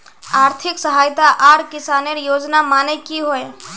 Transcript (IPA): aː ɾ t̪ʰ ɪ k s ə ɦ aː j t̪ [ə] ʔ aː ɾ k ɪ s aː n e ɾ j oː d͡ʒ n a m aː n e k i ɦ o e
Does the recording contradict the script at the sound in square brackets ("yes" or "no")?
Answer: yes